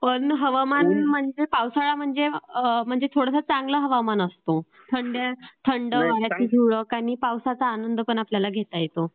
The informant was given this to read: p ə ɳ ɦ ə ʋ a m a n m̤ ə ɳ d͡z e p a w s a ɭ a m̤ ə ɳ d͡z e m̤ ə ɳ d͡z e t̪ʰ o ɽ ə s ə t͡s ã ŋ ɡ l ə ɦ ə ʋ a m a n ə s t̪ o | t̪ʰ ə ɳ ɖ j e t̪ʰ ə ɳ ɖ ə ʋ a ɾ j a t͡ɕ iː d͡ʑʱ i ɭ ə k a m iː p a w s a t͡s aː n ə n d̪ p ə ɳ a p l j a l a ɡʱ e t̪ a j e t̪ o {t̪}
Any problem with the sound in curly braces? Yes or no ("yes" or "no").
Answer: yes